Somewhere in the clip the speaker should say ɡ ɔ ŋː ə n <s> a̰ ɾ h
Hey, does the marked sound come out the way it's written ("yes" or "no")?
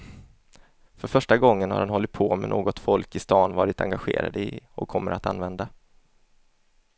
no